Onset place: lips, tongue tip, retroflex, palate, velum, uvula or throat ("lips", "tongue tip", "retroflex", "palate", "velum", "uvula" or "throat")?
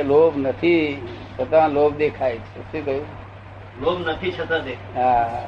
tongue tip